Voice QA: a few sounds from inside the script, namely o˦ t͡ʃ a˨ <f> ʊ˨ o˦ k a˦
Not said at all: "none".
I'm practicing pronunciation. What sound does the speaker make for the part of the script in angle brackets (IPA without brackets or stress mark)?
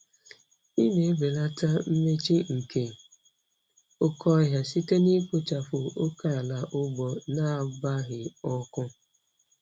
f